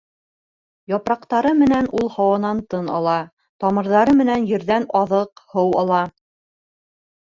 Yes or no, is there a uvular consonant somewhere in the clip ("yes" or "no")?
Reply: yes